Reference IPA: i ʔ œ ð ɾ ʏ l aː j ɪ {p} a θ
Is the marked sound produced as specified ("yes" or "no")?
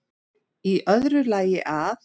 no